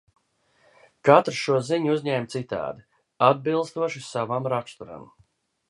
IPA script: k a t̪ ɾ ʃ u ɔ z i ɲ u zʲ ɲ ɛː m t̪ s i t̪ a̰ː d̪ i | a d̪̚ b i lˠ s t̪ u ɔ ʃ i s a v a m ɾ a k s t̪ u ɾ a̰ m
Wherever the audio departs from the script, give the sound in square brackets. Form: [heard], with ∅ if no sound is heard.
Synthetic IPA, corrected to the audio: k a t̪ ɾ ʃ u ɔ z i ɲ u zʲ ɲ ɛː m t̪ s i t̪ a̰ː d̪ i | a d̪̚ b i lˠ s t̪ u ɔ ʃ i s a v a m ɾ a k s t̪ u ɾ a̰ m